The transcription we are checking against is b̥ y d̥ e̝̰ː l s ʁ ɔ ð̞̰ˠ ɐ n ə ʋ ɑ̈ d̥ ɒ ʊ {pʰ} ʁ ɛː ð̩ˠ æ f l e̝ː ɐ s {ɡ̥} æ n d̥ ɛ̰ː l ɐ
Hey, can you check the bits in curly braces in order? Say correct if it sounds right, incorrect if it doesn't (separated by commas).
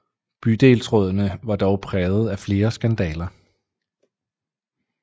correct, correct